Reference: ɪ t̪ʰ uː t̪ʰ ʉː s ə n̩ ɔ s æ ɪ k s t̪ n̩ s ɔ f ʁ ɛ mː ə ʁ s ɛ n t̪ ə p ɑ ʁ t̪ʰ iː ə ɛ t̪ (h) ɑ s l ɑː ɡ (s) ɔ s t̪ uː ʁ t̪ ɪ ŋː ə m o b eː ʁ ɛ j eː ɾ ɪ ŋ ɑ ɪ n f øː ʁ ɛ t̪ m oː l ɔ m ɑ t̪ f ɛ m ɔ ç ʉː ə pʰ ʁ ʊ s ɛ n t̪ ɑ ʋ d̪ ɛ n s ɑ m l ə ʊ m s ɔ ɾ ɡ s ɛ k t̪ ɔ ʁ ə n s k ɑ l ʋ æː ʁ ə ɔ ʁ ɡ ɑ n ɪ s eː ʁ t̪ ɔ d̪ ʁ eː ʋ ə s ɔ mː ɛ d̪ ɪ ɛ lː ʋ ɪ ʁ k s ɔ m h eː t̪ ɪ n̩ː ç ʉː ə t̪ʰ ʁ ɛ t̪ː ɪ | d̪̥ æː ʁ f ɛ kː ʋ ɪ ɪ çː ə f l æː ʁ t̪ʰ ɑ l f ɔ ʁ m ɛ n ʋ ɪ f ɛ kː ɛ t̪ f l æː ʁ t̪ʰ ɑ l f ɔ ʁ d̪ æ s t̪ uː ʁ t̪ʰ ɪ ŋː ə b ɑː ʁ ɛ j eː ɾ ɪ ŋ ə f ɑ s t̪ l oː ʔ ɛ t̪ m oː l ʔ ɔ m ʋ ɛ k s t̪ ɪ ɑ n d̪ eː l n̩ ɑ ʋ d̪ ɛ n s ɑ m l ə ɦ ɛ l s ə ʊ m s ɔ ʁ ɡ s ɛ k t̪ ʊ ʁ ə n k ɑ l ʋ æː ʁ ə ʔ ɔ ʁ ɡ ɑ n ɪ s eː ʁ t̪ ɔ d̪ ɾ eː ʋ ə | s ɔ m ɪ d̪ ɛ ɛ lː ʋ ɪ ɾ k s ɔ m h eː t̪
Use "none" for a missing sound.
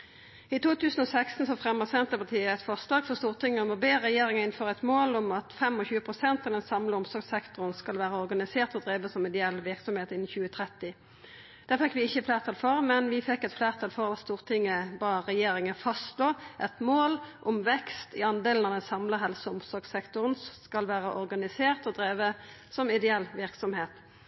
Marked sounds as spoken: f, f

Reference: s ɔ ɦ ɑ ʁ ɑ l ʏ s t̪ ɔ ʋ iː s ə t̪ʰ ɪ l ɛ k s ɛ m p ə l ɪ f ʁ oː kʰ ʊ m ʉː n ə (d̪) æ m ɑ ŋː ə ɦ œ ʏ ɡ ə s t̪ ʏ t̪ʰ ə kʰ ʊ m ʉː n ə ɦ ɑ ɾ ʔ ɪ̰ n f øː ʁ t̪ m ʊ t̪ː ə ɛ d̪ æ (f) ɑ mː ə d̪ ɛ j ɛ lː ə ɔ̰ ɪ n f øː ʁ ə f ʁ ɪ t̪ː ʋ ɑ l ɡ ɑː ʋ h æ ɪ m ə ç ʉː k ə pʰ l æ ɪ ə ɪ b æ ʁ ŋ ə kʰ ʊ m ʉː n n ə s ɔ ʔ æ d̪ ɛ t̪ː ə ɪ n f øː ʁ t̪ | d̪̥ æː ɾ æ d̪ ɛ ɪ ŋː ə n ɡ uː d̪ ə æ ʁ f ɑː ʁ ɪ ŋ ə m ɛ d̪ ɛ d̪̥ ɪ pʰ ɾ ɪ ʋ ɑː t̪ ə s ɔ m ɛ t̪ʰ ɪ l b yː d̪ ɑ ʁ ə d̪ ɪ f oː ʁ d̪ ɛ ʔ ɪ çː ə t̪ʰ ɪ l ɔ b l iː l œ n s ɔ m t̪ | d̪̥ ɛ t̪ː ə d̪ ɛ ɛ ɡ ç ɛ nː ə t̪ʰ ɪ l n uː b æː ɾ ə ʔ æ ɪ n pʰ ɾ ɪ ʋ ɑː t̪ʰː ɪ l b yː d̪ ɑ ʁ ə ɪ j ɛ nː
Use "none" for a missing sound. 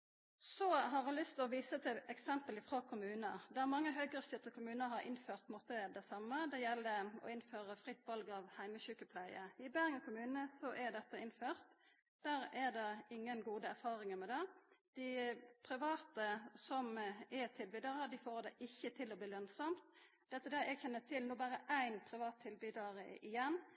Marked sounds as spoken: d̪, s

